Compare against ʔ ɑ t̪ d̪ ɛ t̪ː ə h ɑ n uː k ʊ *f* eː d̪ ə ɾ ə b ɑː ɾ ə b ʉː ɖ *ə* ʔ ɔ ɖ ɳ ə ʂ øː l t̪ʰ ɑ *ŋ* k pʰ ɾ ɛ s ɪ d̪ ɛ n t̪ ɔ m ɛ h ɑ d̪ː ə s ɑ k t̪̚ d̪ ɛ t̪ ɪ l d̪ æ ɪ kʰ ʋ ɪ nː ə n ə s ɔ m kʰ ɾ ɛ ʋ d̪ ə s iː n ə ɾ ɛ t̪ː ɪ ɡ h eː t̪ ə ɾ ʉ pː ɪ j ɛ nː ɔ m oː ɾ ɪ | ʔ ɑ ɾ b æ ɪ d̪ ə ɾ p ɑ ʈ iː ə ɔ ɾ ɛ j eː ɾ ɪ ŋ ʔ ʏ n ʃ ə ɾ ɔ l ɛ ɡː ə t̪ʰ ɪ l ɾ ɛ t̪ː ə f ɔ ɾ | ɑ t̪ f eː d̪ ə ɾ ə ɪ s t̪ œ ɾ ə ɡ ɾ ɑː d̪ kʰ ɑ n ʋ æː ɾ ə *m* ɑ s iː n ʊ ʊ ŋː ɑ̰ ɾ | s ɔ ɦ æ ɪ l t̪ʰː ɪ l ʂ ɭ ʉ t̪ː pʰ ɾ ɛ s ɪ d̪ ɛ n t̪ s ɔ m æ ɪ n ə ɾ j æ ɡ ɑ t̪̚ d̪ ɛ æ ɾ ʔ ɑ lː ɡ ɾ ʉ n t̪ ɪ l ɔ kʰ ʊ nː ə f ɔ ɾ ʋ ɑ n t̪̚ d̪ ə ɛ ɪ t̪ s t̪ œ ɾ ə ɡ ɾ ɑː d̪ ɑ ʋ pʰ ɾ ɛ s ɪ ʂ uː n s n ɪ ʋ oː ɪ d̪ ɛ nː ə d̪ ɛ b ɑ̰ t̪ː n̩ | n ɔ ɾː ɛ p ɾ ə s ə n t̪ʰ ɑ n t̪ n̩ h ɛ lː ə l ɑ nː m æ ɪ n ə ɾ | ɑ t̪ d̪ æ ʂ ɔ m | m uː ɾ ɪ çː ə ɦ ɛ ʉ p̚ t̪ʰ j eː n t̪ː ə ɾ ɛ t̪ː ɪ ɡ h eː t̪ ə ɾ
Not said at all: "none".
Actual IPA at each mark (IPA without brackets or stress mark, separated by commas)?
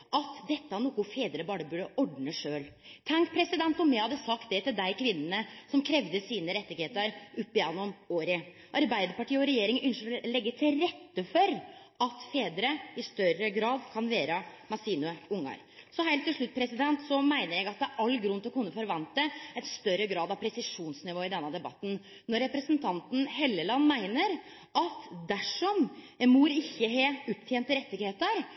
f, ə, ŋ, m